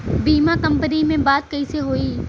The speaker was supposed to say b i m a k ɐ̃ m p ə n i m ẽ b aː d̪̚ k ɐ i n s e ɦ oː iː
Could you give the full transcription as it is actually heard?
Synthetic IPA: b iː m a k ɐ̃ m p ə n i m ẽ b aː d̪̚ k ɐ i s e ɦ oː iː